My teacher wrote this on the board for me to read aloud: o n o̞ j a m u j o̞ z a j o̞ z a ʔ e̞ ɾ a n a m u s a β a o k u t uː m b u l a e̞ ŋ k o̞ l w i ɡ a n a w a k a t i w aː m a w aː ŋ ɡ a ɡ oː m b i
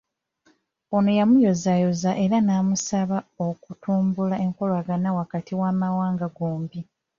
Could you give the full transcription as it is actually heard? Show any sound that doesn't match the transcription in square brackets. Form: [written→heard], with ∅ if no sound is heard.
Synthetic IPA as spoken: o n o̞ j a m u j o̞ z a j o̞ z a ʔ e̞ ɾ a n a m u s a β a o k u t uː m b u l a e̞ ŋ k o̞ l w [i→a] ɡ a n a w a k a t i w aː m a w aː ŋ ɡ a ɡ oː m b i